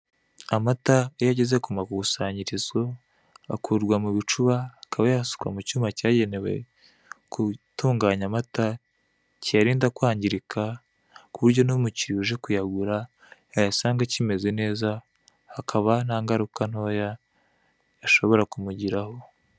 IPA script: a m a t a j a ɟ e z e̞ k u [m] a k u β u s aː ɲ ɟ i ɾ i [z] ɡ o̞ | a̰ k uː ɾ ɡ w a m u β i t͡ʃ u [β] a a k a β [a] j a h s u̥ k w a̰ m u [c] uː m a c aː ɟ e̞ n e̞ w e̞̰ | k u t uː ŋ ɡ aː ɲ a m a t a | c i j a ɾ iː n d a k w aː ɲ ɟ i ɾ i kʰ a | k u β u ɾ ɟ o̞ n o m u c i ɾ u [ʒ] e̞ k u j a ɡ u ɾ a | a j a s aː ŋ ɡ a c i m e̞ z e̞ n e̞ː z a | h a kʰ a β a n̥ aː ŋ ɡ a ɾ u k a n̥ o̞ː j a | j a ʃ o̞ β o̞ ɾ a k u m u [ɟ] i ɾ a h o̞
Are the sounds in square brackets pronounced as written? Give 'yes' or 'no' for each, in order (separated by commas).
yes, yes, yes, yes, yes, yes, yes